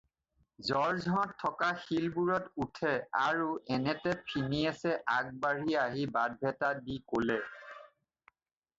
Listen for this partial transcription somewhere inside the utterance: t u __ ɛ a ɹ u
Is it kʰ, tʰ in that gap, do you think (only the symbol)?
tʰ